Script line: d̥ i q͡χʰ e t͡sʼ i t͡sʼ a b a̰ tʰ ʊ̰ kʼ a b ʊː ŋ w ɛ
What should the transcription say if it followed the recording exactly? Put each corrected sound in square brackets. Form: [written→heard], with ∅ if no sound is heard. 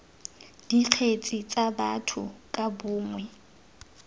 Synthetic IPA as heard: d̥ i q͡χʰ e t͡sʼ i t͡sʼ a b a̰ tʰ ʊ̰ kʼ a b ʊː ŋ w ɛ